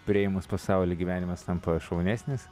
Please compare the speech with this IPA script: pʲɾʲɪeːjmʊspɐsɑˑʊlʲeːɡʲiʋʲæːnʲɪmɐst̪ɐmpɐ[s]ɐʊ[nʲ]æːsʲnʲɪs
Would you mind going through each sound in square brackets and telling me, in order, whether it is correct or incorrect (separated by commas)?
incorrect, correct